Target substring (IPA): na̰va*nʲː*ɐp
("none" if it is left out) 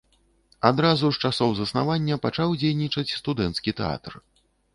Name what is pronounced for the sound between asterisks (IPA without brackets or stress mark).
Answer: nʲː